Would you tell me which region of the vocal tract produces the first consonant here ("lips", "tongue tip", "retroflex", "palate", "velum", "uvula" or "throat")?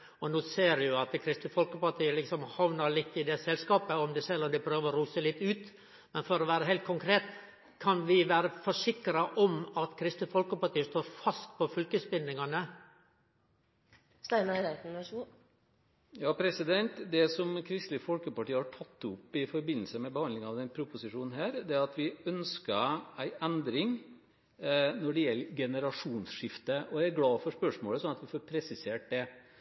tongue tip